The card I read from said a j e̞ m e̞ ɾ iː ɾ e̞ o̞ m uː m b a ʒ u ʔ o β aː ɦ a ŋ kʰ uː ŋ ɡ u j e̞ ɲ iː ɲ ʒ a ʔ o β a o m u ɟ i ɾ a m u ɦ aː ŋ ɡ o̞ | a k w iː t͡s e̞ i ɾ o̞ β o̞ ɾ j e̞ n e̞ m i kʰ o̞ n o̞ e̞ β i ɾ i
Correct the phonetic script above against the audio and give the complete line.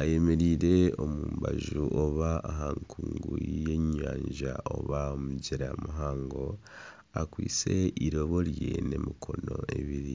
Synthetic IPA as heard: a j e̞ m e̞ ɾ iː ɾ e̞ o̞ m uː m b a ʒ u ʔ o β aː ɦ a ŋ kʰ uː ŋ ɡ u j e̞ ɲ aː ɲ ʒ a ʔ o β a o m u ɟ i ɾ a m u ɦ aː ŋ ɡ o̞ | a k w iː t͡s e̞ i ɾ o̞ β o̞ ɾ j e̞ n e̞ m i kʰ o̞ n o̞ e̞ β i ɾ i